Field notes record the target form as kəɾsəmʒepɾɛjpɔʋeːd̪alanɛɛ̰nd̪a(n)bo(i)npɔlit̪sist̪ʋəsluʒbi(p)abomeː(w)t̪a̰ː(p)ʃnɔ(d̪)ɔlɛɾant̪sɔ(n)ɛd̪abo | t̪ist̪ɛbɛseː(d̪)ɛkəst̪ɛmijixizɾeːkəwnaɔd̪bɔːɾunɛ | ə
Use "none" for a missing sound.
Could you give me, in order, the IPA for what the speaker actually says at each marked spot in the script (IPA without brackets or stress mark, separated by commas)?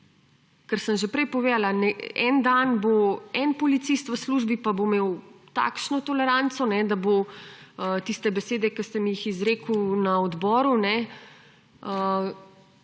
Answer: n, ɛ, p, w, k, t̪, n, d̪